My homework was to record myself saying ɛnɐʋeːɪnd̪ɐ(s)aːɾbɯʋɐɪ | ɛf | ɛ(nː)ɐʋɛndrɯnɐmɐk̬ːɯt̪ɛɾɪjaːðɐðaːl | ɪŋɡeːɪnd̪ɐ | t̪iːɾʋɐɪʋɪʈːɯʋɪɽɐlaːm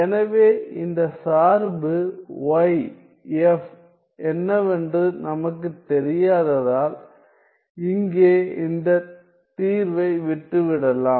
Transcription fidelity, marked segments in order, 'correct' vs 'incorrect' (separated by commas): correct, correct